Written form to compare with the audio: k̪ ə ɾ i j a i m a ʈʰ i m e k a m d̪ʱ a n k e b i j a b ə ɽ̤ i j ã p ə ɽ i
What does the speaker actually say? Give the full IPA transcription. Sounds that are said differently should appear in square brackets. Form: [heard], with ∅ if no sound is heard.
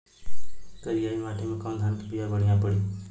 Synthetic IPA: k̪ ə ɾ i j a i m a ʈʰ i m e k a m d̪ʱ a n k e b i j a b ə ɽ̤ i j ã p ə ɽ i

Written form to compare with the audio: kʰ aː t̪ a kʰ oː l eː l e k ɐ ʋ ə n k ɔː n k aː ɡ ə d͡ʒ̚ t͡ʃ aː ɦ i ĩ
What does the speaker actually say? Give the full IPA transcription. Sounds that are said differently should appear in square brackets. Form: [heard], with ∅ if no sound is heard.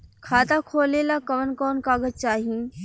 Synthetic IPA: kʰ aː t̪ a kʰ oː l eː l [a] k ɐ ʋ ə n k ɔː n k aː ɡ ə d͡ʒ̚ t͡ʃ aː ɦ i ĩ

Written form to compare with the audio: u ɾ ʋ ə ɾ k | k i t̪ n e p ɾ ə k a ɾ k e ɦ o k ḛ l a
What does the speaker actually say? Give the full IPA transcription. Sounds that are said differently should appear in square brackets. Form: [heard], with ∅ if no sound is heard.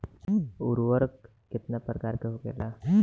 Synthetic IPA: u ɾ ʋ ə ɾ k | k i t̪ n [a] p ɾ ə k a ɾ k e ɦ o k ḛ l a

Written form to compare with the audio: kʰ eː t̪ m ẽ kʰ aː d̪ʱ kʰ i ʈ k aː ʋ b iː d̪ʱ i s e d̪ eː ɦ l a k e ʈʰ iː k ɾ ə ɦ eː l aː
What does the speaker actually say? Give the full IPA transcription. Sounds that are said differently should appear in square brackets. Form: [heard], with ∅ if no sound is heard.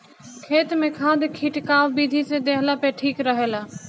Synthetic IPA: kʰ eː t̪ m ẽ kʰ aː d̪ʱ kʰ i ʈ k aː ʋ b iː d̪ʱ i s e d̪ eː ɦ l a [p] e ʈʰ iː k ɾ ə ɦ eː l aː

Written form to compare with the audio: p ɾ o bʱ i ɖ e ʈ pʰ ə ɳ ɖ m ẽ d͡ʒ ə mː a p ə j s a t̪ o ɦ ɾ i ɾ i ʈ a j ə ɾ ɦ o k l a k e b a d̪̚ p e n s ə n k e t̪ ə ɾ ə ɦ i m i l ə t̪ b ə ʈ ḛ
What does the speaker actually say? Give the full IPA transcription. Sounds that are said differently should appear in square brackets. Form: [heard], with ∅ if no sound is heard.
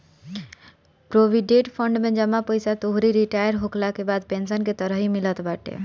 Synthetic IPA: p ɾ o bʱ i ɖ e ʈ pʰ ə ɳ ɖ m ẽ d͡ʒ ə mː a p ə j s a t̪ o ɦ ɾ i ɾ i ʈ a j ə ɾ ɦ o k l a k e b a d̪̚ p e n s ə n k e t̪ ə ɾ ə ɦ i m i l ə t̪ b [a] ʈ ḛ

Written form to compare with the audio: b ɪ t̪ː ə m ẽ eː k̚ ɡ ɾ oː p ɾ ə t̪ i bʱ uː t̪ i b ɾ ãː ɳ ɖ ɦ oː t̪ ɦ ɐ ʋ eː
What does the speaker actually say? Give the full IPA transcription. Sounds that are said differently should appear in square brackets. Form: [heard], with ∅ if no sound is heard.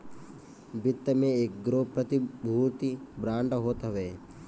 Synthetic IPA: b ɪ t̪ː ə m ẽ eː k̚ ɡ ɾ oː p ɾ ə t̪ i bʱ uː t̪ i b ɾ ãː ɳ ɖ ɦ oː t̪ ɦ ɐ ʋ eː

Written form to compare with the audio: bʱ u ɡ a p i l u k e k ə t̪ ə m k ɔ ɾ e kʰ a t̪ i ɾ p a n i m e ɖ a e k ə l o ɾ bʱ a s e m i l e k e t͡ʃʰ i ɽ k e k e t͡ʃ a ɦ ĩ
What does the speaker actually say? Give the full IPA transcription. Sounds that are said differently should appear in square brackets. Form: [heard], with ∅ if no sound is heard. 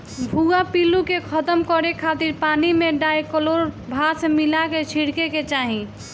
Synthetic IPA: bʱ u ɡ a p i l u k e [kʰ] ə t̪ ə m k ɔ ɾ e kʰ a t̪ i ɾ p a n i m e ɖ a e k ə l o ɾ bʱ a s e m i l [a] k e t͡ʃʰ i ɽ k e k e t͡ʃ a ɦ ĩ

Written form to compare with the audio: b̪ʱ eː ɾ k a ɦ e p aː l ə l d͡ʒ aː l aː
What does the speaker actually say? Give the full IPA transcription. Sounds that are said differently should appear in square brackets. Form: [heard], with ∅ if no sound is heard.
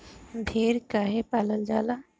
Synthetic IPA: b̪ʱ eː ɾ k a ɦ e p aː l ə l d͡ʒ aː l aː

